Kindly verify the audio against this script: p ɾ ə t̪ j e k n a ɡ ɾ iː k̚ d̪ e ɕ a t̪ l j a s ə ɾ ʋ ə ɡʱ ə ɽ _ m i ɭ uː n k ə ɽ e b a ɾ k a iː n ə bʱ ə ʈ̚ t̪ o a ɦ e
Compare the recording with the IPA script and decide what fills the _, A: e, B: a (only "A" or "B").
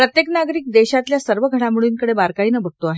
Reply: B